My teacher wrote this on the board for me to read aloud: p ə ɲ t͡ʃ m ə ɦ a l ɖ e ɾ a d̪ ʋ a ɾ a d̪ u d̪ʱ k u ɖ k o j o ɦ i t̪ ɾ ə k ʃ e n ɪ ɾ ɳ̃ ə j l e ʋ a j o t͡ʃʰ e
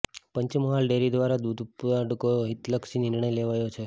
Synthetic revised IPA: p ə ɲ t͡ʃ m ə ɦ a l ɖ e ɾ i d̪ ʋ a ɾ a d̪ u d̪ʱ p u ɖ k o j o ɦ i t̪ l ə k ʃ i n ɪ ɾ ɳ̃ ə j l e ʋ a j o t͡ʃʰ e